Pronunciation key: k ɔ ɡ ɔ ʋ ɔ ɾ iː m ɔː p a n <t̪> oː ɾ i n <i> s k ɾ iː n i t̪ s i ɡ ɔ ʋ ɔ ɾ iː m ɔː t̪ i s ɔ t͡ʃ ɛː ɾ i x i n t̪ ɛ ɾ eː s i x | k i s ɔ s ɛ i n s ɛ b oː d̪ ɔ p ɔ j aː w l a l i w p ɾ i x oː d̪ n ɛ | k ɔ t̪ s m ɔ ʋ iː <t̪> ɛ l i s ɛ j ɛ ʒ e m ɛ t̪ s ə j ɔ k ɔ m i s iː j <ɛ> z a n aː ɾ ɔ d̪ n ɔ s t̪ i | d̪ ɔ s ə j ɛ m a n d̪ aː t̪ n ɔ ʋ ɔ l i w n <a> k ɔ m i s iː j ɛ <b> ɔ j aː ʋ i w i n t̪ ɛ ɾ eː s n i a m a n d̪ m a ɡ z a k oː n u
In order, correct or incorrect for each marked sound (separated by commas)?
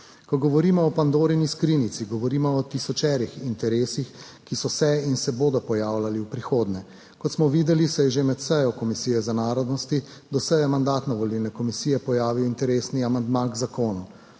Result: incorrect, correct, incorrect, correct, incorrect, incorrect